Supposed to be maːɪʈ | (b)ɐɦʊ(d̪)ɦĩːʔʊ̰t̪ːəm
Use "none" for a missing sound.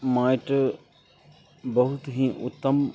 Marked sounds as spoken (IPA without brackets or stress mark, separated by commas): b, t̪